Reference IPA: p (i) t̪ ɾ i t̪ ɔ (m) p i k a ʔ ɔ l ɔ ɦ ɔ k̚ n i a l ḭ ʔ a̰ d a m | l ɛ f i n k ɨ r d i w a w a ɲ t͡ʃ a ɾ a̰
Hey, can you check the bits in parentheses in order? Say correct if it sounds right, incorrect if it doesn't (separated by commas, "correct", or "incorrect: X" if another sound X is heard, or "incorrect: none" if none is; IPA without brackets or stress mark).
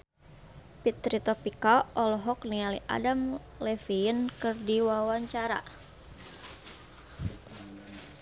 correct, incorrect: none